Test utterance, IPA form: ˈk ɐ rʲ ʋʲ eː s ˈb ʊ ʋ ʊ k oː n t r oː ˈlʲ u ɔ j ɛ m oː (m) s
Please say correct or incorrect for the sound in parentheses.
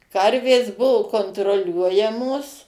incorrect